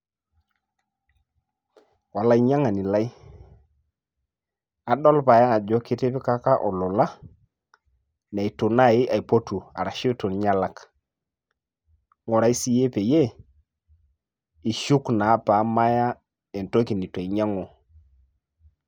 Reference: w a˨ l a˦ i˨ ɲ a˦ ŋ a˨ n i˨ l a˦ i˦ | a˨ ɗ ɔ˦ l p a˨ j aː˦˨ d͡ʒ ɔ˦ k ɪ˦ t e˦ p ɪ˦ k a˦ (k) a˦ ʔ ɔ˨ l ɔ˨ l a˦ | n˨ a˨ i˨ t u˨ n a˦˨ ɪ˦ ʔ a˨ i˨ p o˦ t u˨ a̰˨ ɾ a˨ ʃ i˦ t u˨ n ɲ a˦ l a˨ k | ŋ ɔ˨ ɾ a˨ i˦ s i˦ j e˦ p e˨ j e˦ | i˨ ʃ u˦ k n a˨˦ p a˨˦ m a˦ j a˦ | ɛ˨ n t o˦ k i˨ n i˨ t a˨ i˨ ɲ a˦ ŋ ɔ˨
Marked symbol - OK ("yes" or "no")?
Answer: yes